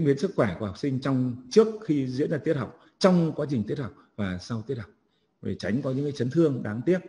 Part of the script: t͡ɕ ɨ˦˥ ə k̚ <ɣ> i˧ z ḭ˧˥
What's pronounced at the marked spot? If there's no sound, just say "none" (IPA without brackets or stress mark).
x